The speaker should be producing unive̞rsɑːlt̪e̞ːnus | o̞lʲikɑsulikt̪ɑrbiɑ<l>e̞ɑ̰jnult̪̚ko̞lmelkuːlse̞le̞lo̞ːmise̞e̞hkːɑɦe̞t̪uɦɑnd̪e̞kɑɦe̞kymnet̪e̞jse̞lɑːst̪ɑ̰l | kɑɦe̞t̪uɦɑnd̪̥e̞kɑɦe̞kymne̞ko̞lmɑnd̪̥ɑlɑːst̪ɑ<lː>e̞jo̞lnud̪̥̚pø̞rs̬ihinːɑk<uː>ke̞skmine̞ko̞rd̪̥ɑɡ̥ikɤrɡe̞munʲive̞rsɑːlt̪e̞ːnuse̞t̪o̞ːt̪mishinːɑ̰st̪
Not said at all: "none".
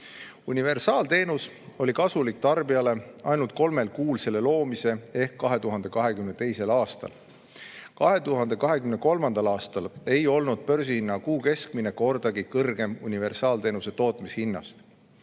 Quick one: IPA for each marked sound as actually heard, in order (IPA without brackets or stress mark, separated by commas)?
l, l, uː